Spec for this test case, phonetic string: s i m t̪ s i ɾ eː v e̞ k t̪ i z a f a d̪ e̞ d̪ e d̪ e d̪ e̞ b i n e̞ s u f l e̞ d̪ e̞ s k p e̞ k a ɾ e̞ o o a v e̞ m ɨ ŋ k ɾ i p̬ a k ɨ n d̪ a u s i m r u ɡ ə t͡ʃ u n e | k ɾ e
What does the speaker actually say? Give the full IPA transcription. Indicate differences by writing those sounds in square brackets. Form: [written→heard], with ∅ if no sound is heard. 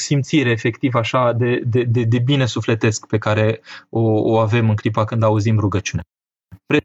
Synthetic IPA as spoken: s i m t̪ s i ɾ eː [v→f] e̞ k t̪ i [z→v] a [f→ʃ] a d̪ e̞ d̪ e d̪ e d̪ e̞ b i n e̞ s u f l e̞ [d̪→t̪] e̞ s k p e̞ k a ɾ e̞ o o a v e̞ m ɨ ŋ k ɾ i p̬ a k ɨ n d̪ a u [s→z] i m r u ɡ ə t͡ʃ u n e | [k→p] ɾ e